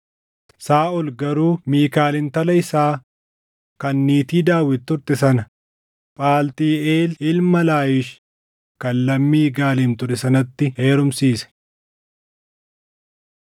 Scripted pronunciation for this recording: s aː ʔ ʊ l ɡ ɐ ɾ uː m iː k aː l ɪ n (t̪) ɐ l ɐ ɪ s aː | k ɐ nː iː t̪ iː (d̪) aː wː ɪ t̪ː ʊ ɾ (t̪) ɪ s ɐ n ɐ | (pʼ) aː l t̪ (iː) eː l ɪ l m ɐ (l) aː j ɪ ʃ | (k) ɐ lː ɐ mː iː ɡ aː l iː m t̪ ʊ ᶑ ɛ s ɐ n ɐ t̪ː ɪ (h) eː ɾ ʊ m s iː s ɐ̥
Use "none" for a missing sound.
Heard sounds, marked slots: t̪, d̪, t̪, pʼ, iː, l, k, h

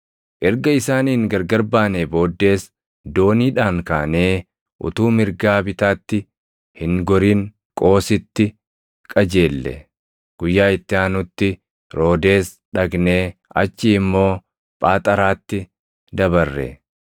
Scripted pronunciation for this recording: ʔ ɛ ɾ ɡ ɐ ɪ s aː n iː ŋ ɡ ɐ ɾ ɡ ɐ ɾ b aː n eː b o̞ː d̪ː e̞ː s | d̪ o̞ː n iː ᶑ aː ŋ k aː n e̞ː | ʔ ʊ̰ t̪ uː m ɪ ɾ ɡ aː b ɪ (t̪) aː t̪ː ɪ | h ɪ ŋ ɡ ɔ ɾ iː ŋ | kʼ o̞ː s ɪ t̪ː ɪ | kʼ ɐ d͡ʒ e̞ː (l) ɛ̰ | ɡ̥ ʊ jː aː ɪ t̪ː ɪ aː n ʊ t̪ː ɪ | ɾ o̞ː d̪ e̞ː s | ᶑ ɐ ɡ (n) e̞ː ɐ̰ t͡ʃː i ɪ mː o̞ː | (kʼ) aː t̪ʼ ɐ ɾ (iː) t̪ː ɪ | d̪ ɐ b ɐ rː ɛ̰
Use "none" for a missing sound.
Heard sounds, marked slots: t̪, lː, n, pʼ, aː

